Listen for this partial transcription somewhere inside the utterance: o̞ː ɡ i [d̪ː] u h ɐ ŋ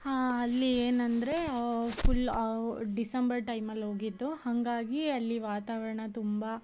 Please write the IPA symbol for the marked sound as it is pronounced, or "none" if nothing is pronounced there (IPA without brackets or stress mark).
d̪ː